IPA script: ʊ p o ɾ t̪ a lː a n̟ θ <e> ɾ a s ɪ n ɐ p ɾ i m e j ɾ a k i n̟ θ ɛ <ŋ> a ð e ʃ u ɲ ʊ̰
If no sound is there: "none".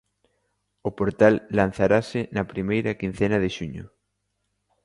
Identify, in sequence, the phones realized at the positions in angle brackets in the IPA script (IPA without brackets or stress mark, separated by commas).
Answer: a, n